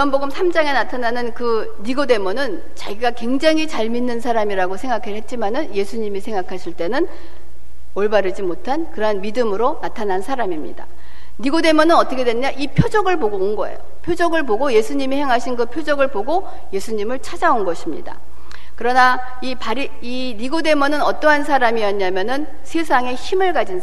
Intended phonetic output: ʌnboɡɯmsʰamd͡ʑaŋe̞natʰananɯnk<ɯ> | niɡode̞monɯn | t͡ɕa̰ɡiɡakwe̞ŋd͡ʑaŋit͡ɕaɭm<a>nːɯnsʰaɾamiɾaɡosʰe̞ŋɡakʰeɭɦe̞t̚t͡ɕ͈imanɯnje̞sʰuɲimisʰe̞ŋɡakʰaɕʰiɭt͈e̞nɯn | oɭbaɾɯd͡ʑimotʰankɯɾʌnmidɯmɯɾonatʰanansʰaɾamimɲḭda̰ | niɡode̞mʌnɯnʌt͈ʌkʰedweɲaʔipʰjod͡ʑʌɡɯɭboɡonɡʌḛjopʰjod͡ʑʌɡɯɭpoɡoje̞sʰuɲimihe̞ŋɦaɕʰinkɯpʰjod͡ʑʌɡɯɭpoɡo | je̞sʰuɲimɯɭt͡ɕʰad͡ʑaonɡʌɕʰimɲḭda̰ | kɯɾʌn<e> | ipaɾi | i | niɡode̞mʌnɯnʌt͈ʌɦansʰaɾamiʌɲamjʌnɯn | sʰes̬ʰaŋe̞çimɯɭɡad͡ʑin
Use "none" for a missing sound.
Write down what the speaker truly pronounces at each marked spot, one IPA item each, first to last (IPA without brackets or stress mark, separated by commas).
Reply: ɯ, i, a